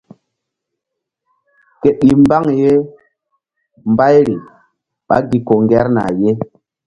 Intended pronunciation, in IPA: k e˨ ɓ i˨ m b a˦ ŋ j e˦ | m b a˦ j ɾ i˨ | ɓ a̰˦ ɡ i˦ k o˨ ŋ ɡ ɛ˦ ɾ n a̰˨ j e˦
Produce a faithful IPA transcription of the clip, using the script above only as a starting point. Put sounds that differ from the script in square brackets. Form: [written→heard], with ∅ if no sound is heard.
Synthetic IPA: k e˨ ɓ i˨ m b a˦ ŋ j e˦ | m b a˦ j ɾ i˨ | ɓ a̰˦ ɡ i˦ k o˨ ŋ ɡ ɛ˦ ɾ n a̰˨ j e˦